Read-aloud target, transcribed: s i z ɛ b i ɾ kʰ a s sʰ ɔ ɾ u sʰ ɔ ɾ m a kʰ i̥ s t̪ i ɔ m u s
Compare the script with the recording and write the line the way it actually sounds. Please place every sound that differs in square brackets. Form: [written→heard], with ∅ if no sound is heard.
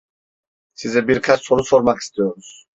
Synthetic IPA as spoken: s i z ɛ b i ɾ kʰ a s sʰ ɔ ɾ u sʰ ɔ ɾ m a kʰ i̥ s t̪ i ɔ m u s